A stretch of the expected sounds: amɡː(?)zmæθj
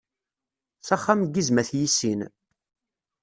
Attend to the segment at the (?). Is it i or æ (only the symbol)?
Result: i